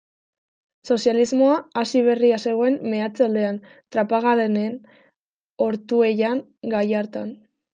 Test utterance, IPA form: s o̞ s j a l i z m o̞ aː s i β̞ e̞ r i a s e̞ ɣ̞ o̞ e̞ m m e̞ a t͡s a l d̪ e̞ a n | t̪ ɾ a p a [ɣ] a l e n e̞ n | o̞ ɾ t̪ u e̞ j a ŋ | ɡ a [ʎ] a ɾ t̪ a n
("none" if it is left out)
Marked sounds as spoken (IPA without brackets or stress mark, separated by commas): ɣ, j